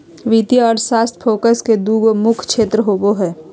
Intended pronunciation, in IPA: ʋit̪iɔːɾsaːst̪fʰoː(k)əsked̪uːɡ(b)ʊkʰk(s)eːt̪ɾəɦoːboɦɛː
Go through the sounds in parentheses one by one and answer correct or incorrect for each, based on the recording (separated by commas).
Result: correct, incorrect, incorrect